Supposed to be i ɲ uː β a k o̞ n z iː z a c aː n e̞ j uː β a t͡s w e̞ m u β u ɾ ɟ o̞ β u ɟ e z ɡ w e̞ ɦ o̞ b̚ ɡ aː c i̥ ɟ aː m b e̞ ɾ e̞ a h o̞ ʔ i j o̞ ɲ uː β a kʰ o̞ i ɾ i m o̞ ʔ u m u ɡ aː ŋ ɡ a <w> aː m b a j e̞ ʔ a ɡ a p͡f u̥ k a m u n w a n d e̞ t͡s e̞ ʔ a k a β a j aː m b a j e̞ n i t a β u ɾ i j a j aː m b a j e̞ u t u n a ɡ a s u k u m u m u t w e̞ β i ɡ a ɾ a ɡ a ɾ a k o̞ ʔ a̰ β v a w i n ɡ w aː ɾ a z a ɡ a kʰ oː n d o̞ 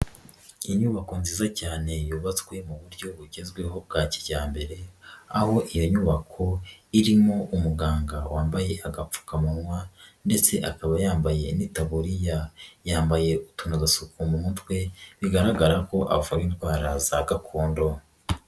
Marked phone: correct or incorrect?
correct